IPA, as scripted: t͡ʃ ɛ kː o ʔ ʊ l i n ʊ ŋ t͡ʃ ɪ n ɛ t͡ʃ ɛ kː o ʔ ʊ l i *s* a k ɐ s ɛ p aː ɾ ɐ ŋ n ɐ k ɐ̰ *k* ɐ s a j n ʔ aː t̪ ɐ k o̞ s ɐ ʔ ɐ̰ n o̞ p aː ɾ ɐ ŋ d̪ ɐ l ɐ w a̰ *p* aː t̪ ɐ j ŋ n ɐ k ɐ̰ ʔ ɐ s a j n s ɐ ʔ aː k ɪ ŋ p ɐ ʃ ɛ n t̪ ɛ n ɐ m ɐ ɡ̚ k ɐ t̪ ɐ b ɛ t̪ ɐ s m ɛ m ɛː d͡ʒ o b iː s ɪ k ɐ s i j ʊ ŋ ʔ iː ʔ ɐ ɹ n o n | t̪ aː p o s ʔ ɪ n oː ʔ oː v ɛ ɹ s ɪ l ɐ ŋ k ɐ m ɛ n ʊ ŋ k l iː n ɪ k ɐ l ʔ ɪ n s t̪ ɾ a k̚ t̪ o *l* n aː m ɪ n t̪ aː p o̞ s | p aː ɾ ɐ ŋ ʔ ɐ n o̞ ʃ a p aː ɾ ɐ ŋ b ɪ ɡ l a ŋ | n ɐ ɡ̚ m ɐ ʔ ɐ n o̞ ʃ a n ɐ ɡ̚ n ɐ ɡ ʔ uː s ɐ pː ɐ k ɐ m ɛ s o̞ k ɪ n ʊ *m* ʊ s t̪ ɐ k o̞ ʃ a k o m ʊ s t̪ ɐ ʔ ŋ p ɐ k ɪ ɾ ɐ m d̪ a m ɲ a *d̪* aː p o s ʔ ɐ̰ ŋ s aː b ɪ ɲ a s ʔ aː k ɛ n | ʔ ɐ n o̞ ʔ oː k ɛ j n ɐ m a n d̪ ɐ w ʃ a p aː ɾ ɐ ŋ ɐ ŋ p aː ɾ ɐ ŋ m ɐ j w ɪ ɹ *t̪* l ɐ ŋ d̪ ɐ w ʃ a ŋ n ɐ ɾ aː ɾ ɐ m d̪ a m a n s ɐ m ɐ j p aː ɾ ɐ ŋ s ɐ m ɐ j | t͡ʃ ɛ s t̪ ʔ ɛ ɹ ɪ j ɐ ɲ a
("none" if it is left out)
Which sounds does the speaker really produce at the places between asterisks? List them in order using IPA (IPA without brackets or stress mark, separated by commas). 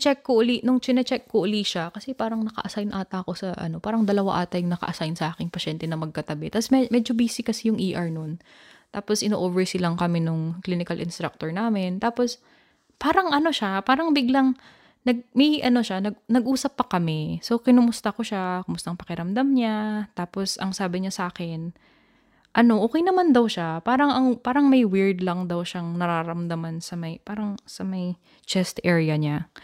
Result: ʃ, ʔ, ʔ, ɹ, m, t̪, d̪